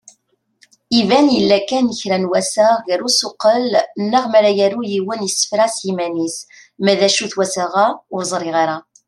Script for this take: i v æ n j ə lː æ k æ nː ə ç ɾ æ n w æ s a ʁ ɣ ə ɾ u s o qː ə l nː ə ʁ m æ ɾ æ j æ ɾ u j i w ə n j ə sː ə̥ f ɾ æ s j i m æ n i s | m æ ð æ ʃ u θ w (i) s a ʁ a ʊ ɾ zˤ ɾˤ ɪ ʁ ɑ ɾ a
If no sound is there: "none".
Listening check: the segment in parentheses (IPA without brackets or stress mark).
æ